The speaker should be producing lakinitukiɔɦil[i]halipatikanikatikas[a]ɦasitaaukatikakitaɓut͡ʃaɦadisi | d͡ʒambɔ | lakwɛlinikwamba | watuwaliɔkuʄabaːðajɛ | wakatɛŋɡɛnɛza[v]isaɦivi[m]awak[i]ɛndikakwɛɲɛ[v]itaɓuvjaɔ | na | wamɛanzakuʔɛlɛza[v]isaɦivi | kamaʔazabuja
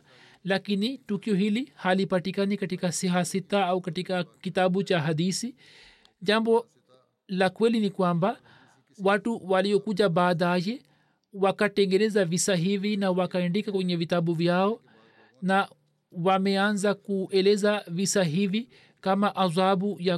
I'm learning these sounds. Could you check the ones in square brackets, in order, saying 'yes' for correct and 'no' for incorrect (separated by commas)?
yes, no, yes, no, no, yes, yes